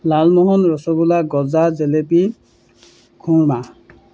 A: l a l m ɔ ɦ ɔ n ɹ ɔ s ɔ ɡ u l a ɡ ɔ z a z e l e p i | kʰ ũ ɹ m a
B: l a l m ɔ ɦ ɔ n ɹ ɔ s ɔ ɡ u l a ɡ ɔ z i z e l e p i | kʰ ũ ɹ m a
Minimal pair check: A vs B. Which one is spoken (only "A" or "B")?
A